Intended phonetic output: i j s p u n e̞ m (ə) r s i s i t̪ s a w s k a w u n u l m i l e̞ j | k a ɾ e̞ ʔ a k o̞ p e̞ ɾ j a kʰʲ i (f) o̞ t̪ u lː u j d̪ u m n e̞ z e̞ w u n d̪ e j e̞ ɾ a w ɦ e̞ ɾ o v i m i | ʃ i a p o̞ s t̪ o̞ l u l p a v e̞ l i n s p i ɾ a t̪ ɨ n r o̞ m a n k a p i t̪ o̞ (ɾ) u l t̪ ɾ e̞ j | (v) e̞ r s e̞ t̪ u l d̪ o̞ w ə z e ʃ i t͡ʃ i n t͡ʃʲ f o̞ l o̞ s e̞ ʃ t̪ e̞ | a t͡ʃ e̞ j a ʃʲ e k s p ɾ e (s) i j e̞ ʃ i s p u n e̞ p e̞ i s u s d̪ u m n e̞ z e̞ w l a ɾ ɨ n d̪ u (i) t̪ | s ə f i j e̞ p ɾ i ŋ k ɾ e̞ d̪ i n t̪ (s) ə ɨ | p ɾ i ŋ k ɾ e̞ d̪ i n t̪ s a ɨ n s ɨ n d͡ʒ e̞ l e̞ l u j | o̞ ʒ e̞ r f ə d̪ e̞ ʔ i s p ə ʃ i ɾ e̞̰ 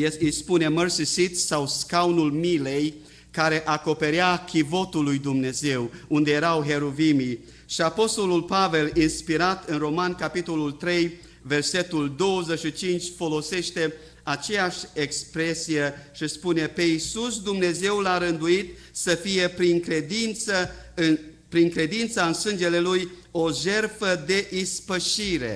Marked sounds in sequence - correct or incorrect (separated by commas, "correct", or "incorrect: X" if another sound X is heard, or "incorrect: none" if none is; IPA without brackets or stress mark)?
correct, incorrect: v, incorrect: l, correct, correct, correct, correct